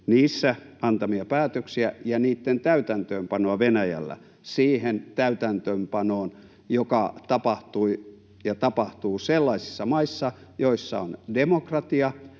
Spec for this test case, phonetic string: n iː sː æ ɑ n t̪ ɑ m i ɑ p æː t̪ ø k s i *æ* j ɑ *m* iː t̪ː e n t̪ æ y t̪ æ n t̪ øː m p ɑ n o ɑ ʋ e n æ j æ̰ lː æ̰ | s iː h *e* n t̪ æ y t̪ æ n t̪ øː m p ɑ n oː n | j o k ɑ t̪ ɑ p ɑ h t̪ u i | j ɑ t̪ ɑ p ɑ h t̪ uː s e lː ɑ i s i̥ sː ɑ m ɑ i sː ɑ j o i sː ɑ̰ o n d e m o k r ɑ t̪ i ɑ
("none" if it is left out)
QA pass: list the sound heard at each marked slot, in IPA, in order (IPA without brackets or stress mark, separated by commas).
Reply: æ, n, e